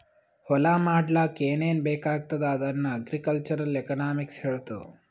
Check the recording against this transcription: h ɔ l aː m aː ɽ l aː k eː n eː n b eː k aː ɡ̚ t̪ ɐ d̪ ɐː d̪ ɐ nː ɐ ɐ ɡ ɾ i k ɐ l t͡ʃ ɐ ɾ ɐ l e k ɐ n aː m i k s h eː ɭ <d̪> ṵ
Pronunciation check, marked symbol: incorrect: t̪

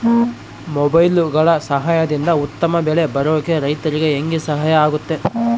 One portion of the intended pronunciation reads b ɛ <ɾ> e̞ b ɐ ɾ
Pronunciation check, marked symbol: incorrect: ɭ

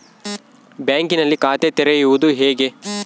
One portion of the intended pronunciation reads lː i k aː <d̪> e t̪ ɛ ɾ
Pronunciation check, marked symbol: incorrect: t̪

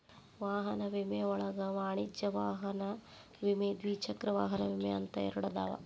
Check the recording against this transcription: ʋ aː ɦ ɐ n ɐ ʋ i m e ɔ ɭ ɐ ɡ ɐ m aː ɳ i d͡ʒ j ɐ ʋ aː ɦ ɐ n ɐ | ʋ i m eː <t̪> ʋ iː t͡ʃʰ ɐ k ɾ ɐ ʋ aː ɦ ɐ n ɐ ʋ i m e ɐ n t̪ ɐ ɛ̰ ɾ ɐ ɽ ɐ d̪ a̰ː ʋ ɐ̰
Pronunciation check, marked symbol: incorrect: d̪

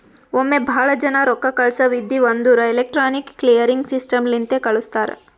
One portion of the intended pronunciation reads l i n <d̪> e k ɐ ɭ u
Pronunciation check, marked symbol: incorrect: t̪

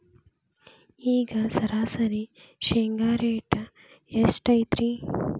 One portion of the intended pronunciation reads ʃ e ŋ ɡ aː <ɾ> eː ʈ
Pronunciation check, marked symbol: correct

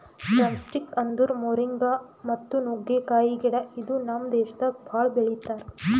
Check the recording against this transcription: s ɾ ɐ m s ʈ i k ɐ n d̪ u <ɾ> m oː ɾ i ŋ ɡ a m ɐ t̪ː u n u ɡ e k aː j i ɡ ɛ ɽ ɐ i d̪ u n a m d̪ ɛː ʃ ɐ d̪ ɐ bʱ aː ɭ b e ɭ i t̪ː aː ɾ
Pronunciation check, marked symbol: correct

